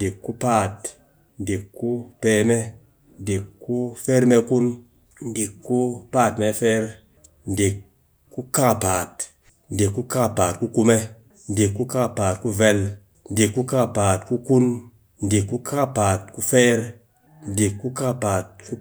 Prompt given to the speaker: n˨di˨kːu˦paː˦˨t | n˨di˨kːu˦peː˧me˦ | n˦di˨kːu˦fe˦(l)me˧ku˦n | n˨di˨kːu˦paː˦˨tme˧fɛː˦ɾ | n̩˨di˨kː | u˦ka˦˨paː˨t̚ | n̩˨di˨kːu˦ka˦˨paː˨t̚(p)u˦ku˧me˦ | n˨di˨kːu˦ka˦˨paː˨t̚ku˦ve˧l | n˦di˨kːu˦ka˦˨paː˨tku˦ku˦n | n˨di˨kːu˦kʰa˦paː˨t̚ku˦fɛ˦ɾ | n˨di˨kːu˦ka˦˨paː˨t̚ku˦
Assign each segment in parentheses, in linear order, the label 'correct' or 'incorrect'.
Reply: incorrect, incorrect

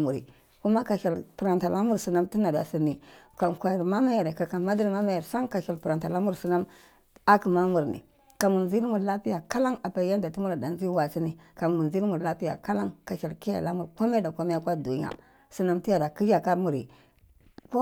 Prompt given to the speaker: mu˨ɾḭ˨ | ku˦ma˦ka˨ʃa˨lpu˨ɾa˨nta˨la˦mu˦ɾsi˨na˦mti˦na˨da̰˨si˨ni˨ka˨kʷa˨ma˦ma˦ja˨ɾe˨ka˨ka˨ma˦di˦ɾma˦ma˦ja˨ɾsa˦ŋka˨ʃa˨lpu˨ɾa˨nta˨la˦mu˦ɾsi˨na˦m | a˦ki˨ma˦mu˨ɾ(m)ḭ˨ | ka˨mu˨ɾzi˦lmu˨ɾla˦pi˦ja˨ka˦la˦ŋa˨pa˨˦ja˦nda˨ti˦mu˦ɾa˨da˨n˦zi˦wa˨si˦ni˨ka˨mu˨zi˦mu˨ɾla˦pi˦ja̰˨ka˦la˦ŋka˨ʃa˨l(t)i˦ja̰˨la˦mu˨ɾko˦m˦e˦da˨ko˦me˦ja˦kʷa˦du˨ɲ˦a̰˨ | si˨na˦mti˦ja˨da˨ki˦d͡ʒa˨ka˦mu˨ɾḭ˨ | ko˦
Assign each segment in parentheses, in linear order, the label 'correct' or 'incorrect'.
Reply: incorrect, incorrect

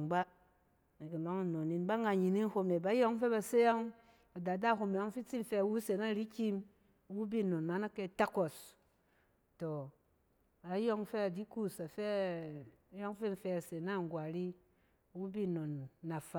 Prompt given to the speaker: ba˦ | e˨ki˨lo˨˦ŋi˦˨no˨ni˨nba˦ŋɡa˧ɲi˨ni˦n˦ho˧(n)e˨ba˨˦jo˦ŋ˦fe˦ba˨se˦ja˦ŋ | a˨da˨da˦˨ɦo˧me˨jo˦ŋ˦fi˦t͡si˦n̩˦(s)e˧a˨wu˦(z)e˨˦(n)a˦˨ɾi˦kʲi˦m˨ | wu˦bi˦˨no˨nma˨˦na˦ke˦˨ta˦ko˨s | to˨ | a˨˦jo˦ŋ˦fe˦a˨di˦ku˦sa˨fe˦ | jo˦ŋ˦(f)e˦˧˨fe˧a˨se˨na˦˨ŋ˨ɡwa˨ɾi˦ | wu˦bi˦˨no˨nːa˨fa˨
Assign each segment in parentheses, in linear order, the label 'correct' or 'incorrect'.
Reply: incorrect, incorrect, incorrect, correct, correct

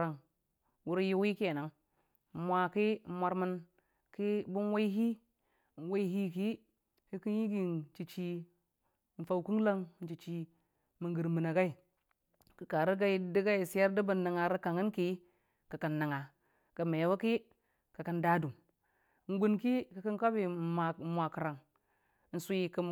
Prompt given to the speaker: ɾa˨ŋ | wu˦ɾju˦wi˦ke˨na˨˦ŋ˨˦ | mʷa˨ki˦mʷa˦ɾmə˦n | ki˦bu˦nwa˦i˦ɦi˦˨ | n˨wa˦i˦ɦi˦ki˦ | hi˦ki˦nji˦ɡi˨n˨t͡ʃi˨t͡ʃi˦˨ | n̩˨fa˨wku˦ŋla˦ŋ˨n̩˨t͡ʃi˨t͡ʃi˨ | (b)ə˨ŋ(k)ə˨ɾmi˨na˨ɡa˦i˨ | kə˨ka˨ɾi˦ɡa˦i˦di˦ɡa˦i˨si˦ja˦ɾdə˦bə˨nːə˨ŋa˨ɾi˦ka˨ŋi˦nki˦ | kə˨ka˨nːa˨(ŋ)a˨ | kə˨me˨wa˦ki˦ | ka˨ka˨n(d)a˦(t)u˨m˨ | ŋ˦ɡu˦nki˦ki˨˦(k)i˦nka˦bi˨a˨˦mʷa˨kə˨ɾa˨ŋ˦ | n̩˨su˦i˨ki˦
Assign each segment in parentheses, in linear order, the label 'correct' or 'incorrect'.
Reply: incorrect, incorrect, correct, correct, incorrect, correct

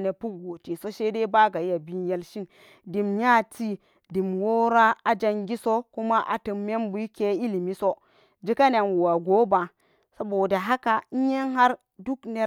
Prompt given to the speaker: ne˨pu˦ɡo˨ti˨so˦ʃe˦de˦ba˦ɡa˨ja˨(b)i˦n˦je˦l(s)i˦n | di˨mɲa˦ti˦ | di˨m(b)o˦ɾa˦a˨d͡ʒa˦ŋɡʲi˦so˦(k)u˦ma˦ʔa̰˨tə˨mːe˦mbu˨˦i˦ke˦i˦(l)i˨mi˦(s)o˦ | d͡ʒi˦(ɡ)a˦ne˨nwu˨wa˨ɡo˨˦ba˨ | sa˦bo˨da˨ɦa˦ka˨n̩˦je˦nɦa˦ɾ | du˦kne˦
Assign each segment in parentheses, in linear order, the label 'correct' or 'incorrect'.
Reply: correct, incorrect, incorrect, correct, correct, correct, incorrect

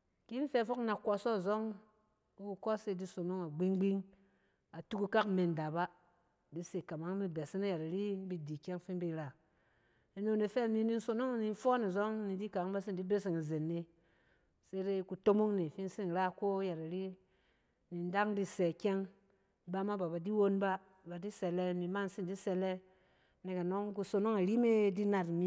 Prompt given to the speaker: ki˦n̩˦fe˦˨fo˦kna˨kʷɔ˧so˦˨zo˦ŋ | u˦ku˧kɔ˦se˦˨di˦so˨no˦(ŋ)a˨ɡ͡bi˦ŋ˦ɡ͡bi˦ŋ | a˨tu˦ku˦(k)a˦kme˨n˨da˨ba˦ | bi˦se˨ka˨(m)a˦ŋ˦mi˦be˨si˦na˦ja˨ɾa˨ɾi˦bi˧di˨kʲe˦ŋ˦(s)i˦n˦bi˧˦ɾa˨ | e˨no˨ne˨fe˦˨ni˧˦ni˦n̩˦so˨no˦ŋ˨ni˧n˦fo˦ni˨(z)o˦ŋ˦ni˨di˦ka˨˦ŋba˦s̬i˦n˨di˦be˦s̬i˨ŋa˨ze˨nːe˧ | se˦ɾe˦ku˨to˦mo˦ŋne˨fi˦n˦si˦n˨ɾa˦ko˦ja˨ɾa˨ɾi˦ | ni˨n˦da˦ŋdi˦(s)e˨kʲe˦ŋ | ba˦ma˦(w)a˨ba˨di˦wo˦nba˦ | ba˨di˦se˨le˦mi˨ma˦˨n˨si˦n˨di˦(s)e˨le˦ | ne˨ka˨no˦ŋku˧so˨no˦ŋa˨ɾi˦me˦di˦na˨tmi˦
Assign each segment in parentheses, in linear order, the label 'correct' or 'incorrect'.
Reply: correct, correct, correct, incorrect, correct, correct, incorrect, correct

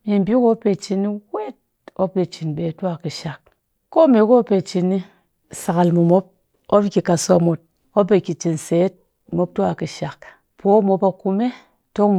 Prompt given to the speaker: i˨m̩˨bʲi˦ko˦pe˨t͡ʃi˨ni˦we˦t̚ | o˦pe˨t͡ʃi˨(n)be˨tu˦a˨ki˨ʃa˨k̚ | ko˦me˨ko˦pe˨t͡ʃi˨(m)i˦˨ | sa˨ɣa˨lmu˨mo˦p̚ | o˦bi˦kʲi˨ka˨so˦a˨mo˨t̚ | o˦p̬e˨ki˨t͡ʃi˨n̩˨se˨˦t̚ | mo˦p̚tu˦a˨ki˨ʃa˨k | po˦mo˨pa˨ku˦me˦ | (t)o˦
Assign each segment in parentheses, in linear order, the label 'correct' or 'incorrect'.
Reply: correct, incorrect, correct

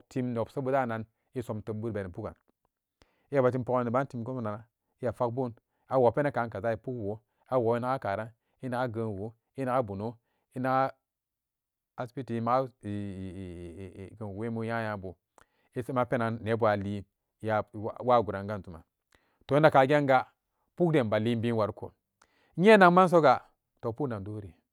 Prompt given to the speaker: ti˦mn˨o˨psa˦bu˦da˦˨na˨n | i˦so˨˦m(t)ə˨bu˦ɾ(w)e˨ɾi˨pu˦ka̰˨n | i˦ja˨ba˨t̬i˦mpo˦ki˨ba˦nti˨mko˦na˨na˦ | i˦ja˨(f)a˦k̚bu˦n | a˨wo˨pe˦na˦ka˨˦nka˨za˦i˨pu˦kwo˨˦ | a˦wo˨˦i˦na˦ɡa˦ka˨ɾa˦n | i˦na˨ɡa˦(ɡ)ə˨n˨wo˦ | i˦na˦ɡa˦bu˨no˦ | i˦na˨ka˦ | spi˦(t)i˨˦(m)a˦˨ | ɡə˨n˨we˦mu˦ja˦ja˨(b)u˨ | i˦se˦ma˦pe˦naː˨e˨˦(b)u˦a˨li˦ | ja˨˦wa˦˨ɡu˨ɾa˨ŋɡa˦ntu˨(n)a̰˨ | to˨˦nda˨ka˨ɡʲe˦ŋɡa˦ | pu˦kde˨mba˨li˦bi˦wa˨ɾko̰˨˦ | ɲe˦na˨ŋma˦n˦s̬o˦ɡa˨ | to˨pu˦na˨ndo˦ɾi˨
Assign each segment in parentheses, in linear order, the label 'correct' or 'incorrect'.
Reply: correct, incorrect, correct, correct, correct, correct, correct, correct, incorrect

